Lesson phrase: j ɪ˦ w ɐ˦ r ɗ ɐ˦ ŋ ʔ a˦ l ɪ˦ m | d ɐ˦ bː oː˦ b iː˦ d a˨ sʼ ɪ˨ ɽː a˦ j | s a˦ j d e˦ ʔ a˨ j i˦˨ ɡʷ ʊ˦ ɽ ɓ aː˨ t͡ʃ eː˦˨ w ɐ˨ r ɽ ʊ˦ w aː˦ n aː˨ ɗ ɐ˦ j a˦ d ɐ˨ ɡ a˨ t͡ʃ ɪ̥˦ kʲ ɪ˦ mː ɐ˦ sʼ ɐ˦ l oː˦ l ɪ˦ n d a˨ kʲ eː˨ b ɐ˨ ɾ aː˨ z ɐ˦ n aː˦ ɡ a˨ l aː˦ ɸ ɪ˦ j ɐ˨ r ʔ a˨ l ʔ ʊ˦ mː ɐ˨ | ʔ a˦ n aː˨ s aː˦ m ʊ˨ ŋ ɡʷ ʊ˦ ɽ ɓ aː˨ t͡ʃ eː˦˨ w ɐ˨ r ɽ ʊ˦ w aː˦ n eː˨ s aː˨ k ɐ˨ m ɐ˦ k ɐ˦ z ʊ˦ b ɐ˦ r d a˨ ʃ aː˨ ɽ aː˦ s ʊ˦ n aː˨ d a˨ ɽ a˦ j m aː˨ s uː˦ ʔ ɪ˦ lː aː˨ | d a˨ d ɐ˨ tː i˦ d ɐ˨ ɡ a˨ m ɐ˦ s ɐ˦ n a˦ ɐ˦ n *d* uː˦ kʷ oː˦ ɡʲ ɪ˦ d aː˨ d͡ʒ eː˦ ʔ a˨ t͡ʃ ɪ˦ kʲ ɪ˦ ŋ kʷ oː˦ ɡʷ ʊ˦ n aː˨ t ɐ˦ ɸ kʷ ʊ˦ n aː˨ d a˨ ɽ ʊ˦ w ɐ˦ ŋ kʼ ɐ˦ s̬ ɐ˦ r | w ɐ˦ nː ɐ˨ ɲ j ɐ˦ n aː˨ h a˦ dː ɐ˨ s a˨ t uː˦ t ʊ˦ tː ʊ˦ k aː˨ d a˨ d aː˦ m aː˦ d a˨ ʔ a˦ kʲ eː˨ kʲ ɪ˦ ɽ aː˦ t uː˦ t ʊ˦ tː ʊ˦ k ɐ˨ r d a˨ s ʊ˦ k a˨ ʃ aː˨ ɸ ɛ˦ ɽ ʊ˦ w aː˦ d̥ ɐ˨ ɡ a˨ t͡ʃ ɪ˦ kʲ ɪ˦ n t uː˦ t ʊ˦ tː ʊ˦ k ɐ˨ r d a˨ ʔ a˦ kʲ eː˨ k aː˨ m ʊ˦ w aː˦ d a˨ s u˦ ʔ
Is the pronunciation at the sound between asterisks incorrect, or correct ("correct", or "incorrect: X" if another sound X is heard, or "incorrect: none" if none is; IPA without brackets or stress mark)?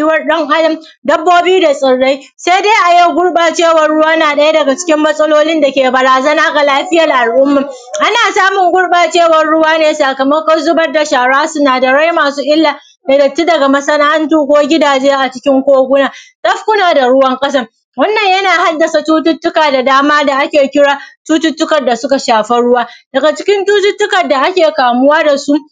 incorrect: t